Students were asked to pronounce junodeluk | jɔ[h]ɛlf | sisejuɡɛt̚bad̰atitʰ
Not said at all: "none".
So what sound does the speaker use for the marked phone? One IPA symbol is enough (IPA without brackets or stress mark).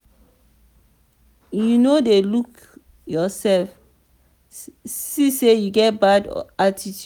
s